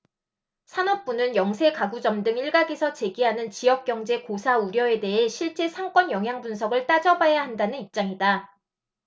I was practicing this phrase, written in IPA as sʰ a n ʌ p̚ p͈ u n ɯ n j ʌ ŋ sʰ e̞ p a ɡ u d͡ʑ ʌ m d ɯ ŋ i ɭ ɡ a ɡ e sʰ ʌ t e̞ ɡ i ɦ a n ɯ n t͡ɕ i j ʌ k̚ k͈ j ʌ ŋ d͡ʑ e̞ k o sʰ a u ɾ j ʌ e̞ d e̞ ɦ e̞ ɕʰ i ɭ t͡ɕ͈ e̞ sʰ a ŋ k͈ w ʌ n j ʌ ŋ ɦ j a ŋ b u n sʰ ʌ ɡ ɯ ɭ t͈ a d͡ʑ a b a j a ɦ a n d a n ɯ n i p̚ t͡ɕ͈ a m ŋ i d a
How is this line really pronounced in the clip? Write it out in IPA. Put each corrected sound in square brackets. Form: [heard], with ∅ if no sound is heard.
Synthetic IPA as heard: sʰ a n ʌ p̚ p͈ u n ɯ n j ʌ ŋ sʰ e̞ [k] a ɡ u d͡ʑ ʌ m d ɯ ŋ i ɭ ɡ a ɡ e sʰ ʌ [t͡ɕ] e̞ ɡ i ɦ a n ɯ n t͡ɕ i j ʌ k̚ k͈ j ʌ ŋ d͡ʑ e̞ k o sʰ a u ɾ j ʌ e̞ d e̞ ɦ e̞ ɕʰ i ɭ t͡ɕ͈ e̞ sʰ a ŋ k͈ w ʌ n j ʌ ŋ ɦ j a ŋ b u n sʰ ʌ ɡ ɯ ɭ t͈ a d͡ʑ [ʌ] b a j a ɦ a n d a n ɯ n i p̚ t͡ɕ͈ a [∅] ŋ i d a